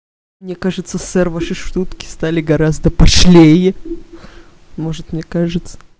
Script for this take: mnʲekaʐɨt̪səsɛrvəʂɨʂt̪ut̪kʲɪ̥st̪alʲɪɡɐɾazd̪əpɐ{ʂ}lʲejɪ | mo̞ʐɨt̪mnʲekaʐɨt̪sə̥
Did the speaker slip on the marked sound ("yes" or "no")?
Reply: no